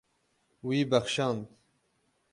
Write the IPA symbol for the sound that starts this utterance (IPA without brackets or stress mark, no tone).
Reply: w